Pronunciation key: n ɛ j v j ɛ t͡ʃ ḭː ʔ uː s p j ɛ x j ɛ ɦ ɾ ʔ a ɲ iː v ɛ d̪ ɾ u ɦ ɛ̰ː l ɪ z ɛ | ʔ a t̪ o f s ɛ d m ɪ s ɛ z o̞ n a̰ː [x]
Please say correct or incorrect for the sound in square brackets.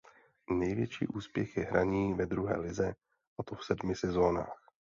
correct